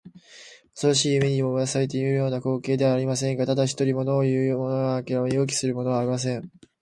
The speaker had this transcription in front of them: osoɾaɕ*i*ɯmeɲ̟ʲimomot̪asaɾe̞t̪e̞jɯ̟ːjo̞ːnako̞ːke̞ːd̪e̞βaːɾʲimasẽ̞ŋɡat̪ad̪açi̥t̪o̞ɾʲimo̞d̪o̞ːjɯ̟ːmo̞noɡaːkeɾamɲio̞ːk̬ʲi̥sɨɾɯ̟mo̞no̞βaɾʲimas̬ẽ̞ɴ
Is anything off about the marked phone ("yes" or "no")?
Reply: yes